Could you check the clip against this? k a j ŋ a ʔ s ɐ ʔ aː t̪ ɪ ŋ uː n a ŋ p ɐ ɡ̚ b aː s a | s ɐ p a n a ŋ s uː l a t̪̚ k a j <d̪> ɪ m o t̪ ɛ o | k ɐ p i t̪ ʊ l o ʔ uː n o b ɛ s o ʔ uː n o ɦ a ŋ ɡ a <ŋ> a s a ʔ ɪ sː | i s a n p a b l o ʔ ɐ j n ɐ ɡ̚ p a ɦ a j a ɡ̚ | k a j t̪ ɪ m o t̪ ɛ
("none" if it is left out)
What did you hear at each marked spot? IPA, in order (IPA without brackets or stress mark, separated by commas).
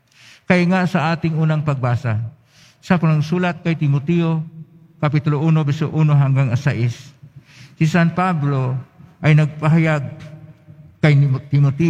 t̪, ŋ